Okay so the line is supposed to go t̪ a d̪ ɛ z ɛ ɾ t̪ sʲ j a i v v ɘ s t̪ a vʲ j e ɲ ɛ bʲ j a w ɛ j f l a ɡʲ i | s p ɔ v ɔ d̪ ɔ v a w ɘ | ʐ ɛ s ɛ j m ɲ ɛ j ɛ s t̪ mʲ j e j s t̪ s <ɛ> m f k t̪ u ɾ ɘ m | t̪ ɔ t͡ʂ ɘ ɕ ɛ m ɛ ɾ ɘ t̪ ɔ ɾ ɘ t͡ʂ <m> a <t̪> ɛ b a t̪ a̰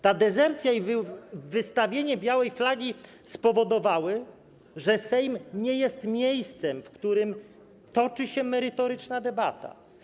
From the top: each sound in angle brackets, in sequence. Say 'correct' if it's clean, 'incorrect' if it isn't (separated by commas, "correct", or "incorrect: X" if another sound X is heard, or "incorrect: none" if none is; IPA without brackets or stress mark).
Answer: correct, incorrect: n, incorrect: d̪